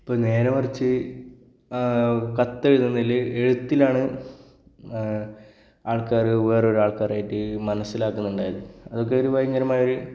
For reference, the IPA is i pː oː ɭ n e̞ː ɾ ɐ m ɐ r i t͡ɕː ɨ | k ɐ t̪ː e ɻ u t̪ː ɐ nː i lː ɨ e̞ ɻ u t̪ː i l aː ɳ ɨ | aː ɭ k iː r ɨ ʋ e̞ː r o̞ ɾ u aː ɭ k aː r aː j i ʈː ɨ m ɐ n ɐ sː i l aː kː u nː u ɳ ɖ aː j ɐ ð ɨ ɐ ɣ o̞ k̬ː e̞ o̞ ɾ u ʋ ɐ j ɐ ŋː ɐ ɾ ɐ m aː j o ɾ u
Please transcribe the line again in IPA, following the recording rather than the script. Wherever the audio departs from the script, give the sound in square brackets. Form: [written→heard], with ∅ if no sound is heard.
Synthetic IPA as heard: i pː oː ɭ n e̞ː ɾ ɐ m ɐ r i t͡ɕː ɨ | k ɐ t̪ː e ɻ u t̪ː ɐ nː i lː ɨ e̞ ɻ u t̪ː i l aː ɳ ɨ | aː ɭ k [iː→aː] r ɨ ʋ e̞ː r o̞ ɾ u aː ɭ k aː r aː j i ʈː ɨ m ɐ n ɐ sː i l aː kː u nː u ɳ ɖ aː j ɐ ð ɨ ɐ [ɣ→ð] o̞ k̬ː e̞ o̞ ɾ u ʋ ɐ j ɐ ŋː ɐ ɾ ɐ m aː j o ɾ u